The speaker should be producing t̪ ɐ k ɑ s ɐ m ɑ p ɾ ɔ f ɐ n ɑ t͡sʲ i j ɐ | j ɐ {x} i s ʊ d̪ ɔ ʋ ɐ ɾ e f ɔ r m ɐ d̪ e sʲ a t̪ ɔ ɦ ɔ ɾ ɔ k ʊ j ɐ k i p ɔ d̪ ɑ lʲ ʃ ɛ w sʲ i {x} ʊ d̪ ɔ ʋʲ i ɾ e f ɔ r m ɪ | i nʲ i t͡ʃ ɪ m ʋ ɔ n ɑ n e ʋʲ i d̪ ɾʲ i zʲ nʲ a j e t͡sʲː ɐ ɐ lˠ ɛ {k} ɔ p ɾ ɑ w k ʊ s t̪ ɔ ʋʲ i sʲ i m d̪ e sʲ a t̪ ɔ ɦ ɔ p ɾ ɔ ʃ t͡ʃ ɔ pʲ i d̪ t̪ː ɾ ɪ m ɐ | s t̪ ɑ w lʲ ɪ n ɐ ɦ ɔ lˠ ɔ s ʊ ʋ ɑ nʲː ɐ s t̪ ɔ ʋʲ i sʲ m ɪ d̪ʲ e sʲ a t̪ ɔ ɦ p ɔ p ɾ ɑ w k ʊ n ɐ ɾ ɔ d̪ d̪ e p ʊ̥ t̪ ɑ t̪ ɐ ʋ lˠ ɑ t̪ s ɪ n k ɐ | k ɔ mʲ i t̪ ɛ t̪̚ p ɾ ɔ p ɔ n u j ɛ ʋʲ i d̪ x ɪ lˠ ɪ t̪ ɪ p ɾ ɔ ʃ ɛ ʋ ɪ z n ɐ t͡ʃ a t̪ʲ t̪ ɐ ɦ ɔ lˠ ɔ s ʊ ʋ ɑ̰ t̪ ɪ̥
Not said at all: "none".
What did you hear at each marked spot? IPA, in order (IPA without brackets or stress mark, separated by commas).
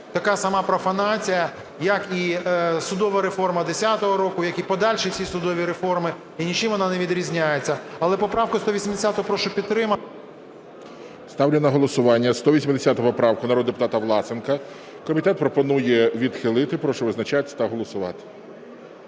k, s, p